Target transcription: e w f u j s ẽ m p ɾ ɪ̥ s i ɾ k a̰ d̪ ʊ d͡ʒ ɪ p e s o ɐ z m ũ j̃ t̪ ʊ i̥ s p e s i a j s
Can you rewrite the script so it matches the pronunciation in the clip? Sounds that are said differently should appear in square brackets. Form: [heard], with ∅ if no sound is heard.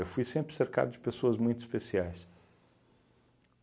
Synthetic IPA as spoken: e w f u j s ẽ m p ɾ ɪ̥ s [e] ɾ k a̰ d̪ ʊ d͡ʒ ɪ p e s o ɐ z m ũ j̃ t̪ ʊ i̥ s p e s i a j s